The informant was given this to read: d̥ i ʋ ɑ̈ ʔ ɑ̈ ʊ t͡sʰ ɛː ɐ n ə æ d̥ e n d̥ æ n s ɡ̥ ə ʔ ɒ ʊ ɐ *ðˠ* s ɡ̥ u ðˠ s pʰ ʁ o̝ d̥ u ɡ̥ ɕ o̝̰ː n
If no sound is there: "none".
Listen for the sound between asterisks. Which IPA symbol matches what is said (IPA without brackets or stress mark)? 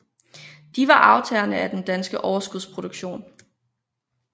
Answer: none